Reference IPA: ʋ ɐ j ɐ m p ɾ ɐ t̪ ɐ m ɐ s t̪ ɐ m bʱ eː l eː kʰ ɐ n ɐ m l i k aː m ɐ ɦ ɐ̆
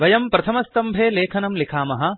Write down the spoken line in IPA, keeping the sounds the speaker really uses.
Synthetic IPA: ʋ ɐ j ɐ m p ɾ ɐ t̪ʰ ɐ m ɐ s t̪ ɐ m bʱ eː l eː kʰ ɐ n ɐ m l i kʰ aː m ɐ ɦ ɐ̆